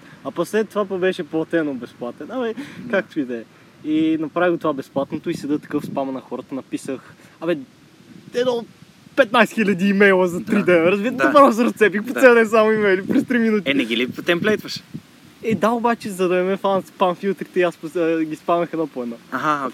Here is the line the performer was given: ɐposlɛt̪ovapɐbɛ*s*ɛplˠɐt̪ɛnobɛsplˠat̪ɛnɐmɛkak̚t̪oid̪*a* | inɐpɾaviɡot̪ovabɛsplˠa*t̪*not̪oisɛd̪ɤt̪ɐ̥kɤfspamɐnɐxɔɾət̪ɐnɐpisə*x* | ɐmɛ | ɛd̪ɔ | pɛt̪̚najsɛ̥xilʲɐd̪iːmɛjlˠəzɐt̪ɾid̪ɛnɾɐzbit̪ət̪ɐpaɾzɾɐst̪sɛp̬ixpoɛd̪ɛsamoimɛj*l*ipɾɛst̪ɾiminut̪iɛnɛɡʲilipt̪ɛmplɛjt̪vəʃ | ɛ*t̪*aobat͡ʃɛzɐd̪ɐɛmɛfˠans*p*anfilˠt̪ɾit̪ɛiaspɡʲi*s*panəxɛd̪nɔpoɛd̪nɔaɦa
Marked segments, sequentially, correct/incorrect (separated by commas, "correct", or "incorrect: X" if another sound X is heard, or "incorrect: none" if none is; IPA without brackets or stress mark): incorrect: ʃ, incorrect: ɛ, correct, correct, correct, incorrect: d̪, correct, correct